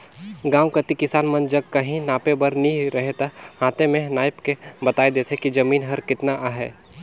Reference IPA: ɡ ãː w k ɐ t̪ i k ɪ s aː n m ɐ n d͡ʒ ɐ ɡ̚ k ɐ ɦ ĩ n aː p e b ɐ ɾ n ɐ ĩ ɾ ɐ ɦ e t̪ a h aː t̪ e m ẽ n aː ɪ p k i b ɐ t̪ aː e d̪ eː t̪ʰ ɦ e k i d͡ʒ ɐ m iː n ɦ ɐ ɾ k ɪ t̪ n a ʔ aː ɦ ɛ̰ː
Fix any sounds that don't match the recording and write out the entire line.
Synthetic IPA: ɡ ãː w k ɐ t̪ i k ɪ s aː n m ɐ n d͡ʒ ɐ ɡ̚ k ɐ ɦ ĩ n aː p e b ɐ ɾ n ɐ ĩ ɾ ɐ ɦ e t̪ a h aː t̪ e m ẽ n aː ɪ p k e b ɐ t̪ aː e d̪ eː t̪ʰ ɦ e k i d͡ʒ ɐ m iː n ɦ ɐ ɾ k ɪ t̪ n a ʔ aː ɦ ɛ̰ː